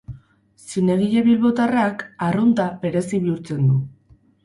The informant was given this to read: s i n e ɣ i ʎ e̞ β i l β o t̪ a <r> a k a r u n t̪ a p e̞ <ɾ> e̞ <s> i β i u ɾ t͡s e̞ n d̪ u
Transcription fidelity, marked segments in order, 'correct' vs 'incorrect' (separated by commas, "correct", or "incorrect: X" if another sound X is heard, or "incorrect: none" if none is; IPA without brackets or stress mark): correct, correct, correct